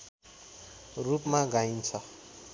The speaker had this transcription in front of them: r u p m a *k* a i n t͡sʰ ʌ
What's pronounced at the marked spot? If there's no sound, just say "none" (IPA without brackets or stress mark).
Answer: ɡ